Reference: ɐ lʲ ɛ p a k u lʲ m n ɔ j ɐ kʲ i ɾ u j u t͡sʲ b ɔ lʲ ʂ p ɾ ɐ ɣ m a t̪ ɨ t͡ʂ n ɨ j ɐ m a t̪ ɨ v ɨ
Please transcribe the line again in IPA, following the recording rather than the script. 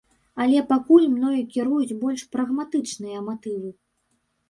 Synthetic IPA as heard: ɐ lʲ ɛ p a k u lʲ m n ɔ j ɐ kʲ i ɾ u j u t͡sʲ b ɔ lʲ ʂ p ɾ ɐ ɣ m a t̪ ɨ t͡ʂ n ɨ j ɐ m a t̪ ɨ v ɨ